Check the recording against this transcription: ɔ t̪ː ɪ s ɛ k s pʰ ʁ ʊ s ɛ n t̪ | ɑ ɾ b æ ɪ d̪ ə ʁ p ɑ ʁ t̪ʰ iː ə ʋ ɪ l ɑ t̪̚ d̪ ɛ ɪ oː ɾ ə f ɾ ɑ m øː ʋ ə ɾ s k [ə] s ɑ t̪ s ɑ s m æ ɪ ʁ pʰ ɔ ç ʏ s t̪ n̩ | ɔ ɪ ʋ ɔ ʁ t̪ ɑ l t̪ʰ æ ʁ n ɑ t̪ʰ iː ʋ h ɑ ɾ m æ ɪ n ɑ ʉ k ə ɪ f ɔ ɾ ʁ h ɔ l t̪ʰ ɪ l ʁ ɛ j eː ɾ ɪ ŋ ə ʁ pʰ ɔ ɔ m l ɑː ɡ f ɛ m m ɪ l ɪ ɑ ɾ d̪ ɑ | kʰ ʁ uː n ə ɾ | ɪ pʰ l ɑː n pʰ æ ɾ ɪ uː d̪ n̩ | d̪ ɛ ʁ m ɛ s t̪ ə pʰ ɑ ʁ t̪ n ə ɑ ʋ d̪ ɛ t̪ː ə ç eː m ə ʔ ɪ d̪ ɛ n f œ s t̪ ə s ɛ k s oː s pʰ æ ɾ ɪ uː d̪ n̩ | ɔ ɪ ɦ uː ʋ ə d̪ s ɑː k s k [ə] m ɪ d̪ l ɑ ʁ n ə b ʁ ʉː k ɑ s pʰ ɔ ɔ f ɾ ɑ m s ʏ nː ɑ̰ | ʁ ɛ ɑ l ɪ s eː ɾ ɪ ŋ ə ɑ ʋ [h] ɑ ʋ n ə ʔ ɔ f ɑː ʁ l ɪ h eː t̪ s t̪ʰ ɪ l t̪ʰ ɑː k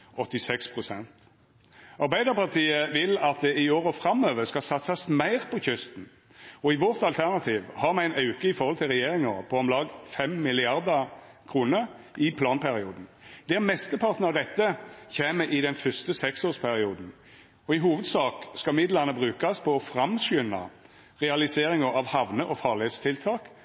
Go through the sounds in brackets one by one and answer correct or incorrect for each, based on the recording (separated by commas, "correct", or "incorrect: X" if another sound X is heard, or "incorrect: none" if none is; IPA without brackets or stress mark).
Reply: incorrect: ɑ, incorrect: ɑ, correct